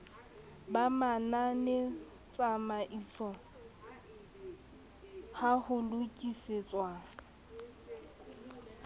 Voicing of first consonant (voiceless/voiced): voiced